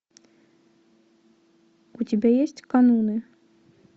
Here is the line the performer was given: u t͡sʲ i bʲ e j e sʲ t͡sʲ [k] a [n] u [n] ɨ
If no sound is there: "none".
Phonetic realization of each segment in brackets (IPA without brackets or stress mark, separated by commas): k, n, n